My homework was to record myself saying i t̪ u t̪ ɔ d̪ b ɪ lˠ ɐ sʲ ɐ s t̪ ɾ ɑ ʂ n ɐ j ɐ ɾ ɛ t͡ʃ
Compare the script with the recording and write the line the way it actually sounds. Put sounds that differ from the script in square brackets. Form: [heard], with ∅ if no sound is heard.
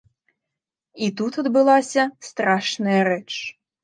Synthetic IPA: i t̪ u t̪ ɔ d̪ b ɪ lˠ [ɑ] sʲ ɐ s t̪ ɾ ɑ [ʃ] n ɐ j ɐ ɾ ɛ t͡ʃ